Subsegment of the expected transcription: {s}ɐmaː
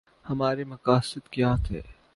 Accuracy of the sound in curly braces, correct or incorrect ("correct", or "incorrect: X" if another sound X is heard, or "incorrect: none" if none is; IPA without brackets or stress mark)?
incorrect: h